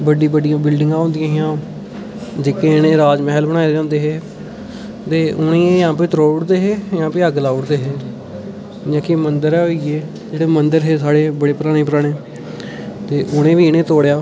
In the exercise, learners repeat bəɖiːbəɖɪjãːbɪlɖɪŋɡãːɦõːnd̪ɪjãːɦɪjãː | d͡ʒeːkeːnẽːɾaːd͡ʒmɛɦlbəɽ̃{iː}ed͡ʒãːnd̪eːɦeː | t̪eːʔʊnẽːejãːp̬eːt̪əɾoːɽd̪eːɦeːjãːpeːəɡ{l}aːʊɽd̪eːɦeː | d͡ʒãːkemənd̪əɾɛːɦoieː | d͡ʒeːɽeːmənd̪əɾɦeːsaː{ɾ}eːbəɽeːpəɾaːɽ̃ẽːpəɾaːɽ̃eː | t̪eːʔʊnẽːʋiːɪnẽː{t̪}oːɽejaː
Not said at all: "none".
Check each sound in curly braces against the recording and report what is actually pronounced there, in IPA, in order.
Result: aː, l, ɽ, t̪

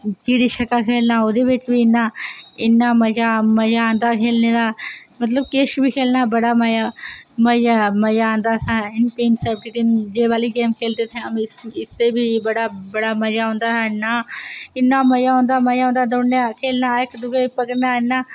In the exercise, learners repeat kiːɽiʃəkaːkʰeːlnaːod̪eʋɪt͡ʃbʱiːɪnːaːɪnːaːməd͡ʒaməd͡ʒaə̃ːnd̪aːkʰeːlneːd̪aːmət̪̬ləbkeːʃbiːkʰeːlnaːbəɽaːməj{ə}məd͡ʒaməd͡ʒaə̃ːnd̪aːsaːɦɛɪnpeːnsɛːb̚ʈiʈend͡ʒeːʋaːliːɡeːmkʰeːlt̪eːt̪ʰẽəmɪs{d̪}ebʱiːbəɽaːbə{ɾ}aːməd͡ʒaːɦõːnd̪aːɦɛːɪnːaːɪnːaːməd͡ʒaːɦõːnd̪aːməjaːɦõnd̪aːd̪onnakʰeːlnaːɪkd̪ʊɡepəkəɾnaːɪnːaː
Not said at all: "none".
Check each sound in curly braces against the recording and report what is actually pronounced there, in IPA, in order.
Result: a, t̪, ɽ

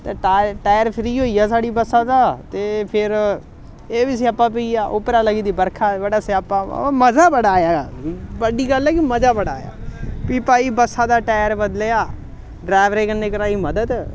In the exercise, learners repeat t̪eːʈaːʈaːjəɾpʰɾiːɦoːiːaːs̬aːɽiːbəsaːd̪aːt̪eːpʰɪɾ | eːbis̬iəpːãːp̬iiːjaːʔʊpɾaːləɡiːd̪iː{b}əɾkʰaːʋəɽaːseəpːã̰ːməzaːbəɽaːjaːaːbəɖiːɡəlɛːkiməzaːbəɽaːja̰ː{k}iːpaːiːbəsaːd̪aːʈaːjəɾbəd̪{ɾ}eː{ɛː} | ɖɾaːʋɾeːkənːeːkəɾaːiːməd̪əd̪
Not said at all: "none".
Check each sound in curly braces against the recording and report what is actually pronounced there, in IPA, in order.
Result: b, p, l, aː

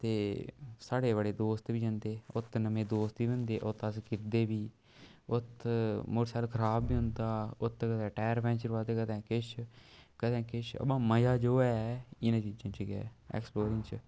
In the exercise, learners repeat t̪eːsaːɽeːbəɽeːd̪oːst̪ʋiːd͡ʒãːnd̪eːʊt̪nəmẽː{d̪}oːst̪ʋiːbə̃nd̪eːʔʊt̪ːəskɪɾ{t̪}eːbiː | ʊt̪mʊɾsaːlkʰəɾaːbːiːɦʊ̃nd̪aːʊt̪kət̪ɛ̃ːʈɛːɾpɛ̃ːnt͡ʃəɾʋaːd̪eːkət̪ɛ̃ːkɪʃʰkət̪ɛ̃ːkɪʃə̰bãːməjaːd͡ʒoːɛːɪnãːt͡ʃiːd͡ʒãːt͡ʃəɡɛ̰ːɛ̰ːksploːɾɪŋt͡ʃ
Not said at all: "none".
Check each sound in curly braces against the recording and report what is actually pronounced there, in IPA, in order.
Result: d̪, d̪

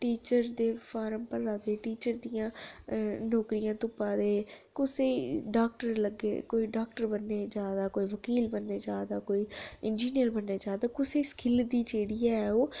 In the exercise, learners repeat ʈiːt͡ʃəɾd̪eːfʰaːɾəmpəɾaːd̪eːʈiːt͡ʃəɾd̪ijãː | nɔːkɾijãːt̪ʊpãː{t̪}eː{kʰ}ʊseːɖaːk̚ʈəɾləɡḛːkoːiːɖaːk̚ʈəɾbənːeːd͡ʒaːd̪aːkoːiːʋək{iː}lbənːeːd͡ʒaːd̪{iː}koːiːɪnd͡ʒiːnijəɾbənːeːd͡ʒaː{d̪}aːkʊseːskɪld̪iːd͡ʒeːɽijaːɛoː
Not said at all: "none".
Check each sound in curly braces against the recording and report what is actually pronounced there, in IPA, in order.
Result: d̪, k, iː, aː, d̪

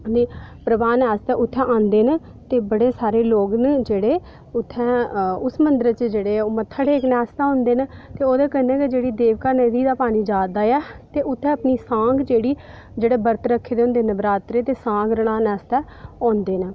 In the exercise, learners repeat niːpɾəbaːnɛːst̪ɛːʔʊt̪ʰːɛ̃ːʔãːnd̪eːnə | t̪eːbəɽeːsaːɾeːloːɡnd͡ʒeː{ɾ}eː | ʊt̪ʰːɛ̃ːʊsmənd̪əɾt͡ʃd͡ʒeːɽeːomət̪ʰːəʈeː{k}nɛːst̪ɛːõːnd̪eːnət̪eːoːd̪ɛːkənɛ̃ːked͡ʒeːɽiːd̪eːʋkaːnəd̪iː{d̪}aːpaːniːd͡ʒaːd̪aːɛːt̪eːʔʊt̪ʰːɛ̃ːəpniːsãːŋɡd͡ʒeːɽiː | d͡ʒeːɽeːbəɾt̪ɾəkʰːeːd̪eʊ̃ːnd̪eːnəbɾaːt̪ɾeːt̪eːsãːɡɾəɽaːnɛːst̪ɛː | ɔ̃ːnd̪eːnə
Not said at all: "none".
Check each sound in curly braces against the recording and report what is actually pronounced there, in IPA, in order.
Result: ɽ, k, d̪

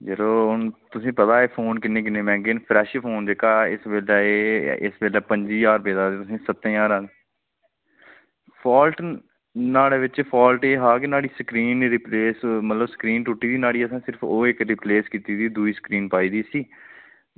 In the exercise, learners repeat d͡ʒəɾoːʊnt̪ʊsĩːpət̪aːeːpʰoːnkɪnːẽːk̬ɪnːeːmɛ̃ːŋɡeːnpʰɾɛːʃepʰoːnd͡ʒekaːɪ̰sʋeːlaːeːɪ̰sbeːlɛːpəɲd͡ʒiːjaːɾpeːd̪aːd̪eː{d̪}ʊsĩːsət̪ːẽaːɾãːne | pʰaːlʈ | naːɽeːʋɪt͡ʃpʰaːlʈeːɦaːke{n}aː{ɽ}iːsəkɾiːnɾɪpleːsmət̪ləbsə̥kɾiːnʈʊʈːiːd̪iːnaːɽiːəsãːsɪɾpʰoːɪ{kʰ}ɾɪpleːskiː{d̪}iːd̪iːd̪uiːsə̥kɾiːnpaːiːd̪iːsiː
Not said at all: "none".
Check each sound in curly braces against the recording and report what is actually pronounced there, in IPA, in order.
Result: t̪, n, ɽ, k, t̪

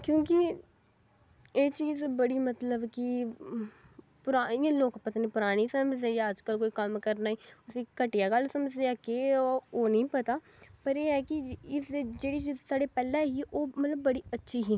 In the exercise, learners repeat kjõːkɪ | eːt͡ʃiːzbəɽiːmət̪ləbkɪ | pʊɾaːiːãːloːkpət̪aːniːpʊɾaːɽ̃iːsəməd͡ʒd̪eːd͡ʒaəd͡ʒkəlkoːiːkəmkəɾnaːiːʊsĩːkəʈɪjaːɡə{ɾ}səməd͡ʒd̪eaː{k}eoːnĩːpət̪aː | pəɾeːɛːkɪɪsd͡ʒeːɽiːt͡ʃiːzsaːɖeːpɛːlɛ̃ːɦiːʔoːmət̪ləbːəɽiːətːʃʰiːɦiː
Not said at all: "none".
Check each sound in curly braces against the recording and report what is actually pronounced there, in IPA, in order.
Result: l, k

